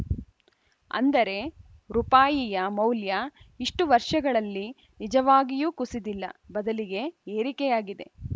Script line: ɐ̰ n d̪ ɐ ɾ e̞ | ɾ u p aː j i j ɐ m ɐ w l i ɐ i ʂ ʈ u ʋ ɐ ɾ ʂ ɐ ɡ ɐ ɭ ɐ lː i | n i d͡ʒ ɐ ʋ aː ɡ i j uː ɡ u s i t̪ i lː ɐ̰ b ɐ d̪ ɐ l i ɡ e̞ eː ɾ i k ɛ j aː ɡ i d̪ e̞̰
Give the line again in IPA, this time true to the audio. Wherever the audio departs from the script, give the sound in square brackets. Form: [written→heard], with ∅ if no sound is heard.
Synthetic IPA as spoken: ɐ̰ n d̪ ɐ ɾ e̞ | ɾ u p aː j i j ɐ m ɐ w l [i→j] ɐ i ʂ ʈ u ʋ ɐ ɾ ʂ ɐ ɡ ɐ ɭ ɐ lː i | n i d͡ʒ ɐ ʋ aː ɡ i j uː [ɡ→k] u s i [t̪→d̪] i lː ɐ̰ b ɐ d̪ ɐ l i ɡ e̞ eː ɾ i k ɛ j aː ɡ i d̪ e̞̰